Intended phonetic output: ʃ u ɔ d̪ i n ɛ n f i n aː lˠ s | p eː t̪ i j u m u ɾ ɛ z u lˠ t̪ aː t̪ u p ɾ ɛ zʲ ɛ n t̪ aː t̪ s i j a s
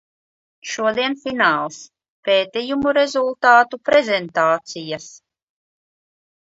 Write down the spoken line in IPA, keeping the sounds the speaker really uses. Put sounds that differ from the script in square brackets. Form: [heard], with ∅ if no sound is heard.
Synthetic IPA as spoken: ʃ u ɔ d̪ i [∅] ɛ n f i n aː lˠ s | p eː t̪ i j u m u ɾ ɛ z u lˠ t̪ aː t̪ u p ɾ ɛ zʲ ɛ n t̪ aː t̪ s i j a s